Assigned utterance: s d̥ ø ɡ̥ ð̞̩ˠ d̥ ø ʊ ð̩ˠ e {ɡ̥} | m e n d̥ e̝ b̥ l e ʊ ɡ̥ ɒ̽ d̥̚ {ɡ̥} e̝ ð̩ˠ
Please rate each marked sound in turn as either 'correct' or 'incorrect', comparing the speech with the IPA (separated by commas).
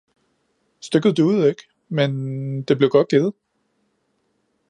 correct, correct